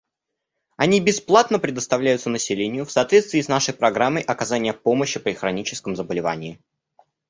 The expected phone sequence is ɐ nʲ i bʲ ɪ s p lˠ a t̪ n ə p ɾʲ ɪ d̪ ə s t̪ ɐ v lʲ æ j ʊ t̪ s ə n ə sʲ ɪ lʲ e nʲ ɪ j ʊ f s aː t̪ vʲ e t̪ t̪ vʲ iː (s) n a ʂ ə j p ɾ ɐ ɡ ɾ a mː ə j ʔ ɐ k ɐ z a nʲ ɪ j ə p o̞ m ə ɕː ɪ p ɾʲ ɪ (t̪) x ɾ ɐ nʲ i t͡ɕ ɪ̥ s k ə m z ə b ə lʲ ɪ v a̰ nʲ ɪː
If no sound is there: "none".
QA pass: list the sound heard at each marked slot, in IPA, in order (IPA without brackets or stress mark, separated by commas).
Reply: s, none